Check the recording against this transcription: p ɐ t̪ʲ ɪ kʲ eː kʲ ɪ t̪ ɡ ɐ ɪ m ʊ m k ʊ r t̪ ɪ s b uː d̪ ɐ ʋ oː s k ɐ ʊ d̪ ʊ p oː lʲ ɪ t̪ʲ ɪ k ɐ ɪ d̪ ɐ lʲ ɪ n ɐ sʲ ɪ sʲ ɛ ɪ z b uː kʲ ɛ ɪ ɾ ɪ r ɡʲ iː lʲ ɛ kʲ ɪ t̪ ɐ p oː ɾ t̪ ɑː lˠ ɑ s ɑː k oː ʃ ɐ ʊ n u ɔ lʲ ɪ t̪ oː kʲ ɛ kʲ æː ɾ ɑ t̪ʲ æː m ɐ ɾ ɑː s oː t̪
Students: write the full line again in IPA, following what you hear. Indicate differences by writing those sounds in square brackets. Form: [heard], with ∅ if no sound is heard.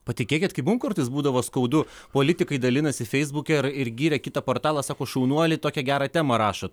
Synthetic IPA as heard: p ɐ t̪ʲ ɪ kʲ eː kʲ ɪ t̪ [k] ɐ ɪ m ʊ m k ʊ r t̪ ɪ s b uː d̪ ɐ ʋ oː s k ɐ ʊ d̪ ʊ p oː lʲ ɪ t̪ʲ ɪ k ɐ ɪ d̪ ɐ lʲ ɪ n ɐ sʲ ɪ [fʲ] ɛ ɪ z b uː kʲ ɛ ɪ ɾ ɪ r ɡʲ iː [ɾʲ] ɛ kʲ ɪ t̪ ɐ p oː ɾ t̪ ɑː lˠ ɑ s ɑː k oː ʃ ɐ ʊ n u ɔ lʲ ɪ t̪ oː kʲ ɛ [ɡʲ] æː ɾ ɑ t̪ʲ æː m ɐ ɾ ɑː [ʃ] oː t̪